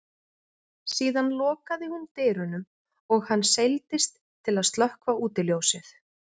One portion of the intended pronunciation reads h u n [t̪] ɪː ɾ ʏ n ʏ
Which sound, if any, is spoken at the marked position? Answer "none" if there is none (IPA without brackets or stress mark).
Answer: t̪